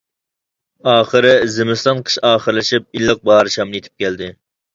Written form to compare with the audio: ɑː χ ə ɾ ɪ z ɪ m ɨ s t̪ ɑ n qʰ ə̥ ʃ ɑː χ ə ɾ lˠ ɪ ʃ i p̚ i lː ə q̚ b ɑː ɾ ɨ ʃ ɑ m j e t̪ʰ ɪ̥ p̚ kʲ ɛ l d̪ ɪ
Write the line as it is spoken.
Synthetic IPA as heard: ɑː χ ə ɾ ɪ z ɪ m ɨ s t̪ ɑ n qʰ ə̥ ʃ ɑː χ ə ɾ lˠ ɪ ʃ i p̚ i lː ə q̚ b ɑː ɾ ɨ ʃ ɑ m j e t̪ʰ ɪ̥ p̚ kʲ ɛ l d̪ ɪ